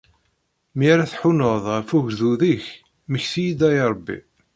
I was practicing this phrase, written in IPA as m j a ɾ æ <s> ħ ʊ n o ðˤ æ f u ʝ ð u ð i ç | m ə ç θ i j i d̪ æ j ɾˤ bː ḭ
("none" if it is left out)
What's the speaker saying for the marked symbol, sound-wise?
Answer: θ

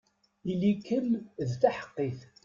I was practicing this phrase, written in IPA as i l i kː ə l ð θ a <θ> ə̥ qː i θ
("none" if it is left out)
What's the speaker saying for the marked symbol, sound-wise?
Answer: ħ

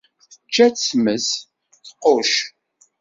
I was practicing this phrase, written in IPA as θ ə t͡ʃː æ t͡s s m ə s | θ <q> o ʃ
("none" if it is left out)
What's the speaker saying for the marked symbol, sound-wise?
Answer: q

